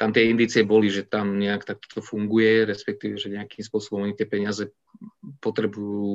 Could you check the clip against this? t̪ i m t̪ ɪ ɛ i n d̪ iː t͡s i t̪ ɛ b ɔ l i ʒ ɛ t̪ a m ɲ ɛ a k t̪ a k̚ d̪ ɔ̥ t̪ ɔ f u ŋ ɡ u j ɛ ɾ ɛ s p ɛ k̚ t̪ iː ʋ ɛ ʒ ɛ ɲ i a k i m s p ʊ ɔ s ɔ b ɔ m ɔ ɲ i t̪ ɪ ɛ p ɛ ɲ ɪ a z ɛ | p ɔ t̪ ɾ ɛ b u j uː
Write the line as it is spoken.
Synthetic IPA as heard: t̪ a m t̪ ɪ ɛ i n d̪ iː t͡s i ɛ b ɔ l i ʒ ɛ t̪ a m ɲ ɛ a k t̪ a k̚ t̪ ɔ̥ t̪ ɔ f u ŋ ɡ u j ɛ ɾ ɛ s p ɛ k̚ t̪ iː ʋ ɛ ʒ ɛ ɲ ɛ a k i m s p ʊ ɔ s ɔ b ɔ m ɔ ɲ i t̪ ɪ ɛ p ɛ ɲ ɪ a z ɛ | p ɔ t̪ ɾ ɛ b u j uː